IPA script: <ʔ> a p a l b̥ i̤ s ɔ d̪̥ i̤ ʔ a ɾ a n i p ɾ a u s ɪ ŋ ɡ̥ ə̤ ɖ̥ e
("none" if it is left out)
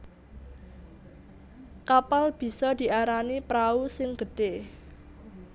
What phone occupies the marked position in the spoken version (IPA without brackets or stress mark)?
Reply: k